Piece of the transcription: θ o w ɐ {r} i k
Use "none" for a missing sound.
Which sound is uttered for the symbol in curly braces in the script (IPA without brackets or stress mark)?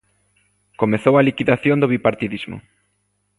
l